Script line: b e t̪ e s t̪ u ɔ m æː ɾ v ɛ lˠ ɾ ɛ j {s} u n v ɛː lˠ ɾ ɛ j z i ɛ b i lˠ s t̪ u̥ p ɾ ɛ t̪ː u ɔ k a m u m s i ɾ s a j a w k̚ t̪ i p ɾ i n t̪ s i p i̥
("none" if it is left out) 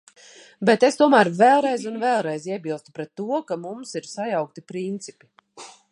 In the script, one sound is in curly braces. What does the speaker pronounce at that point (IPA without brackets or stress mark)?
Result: z